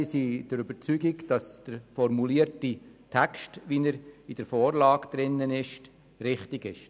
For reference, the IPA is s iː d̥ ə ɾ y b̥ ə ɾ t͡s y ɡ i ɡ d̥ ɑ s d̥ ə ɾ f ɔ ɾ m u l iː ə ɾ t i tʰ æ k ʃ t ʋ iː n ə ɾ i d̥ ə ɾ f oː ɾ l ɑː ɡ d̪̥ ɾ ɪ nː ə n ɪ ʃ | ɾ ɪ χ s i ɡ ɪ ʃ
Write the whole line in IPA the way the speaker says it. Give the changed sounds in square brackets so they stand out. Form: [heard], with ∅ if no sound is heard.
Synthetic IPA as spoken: s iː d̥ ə ɾ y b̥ ə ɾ t͡s y ɡ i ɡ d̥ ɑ s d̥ ə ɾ f ɔ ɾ m u l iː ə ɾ t i tʰ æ k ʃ t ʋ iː n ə ɾ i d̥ ə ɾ f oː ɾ l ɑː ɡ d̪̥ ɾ ɪ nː ə n ɪ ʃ | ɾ ɪ χ [t] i ɡ ɪ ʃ